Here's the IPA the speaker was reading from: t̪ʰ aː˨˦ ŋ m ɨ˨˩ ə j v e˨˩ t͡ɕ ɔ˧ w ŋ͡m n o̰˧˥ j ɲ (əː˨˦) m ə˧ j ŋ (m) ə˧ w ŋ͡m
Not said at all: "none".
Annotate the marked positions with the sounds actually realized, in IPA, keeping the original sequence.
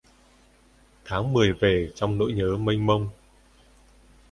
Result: əː˨˦, m

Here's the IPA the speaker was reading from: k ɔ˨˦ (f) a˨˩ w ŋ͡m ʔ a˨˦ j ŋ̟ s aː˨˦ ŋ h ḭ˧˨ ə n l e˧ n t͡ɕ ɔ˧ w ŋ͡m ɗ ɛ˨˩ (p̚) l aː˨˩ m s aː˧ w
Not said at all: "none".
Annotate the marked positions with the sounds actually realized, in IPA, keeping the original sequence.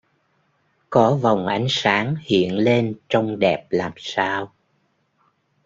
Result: v, p̚

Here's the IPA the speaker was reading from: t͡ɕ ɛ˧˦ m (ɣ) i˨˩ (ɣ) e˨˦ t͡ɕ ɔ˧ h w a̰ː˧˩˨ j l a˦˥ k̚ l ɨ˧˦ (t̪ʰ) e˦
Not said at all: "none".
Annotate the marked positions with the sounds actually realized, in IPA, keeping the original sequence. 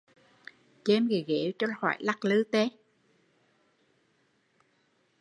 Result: ɣ, ɣ, t̪

